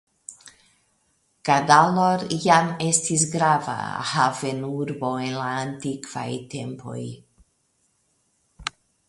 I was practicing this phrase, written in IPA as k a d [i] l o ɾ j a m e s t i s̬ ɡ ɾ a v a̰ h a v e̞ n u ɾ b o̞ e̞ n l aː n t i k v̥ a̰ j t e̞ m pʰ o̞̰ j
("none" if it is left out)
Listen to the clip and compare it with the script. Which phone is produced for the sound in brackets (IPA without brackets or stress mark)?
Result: a